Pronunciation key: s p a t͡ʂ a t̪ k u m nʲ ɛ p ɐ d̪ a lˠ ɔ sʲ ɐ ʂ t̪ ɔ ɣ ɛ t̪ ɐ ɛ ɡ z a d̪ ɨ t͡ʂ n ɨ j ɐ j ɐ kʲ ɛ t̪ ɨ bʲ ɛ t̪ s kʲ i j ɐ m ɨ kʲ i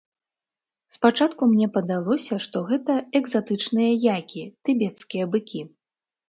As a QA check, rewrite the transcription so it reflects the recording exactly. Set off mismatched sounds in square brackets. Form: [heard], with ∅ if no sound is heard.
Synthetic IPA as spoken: s p a t͡ʂ a t̪ k u m nʲ ɛ p ɐ d̪ a lˠ ɔ sʲ ɐ ʂ t̪ ɔ ɣ ɛ t̪ ɐ ɛ ɡ z a [t̪] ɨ t͡ʂ n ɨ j ɐ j [a] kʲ [i] t̪ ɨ bʲ ɛ t̪ s kʲ i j ɐ [b] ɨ kʲ i